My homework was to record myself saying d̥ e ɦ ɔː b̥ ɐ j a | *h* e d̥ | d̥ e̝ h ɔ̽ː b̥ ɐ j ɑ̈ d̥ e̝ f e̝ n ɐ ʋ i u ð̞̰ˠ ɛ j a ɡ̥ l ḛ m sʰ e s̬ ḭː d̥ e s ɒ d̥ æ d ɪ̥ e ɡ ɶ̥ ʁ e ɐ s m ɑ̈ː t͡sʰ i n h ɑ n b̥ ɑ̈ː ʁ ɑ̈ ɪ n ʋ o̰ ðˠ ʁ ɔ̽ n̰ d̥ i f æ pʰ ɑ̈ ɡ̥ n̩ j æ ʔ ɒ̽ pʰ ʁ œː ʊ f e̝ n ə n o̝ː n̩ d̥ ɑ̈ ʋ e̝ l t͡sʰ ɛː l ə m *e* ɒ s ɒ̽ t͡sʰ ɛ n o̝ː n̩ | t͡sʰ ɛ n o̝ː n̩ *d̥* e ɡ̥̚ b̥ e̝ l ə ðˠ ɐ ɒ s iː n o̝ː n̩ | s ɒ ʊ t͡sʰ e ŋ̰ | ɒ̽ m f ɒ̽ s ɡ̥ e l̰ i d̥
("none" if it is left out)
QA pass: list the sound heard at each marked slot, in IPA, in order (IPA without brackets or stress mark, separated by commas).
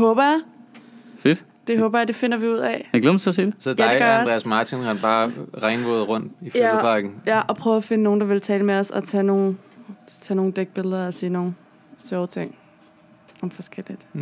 f, e, d̥